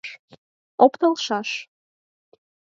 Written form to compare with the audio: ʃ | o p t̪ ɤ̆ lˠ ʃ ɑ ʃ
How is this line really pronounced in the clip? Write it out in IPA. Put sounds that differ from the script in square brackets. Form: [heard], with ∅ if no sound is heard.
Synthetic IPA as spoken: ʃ | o p t̪ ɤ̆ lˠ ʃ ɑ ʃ